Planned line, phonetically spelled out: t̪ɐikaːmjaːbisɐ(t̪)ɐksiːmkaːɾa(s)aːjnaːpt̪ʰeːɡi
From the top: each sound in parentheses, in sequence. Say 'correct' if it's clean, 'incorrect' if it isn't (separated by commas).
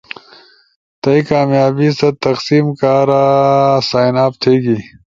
correct, correct